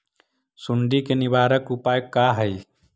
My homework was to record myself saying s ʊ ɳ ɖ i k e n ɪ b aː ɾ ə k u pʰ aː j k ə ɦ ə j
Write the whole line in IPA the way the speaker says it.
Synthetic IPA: s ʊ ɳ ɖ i k e n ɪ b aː ɾ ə k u p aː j k a ɦ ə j